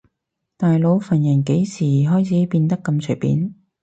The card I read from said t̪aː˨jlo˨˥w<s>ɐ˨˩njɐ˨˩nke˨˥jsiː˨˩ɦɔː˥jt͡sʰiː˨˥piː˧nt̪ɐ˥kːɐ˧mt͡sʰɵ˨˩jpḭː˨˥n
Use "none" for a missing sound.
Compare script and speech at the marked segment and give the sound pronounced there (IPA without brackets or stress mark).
f